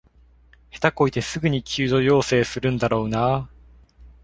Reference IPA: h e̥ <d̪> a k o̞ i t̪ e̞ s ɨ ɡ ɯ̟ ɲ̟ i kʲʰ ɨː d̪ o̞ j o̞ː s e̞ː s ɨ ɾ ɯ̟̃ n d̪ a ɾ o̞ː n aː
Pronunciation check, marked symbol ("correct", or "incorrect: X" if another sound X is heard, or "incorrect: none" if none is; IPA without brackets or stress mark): incorrect: t̪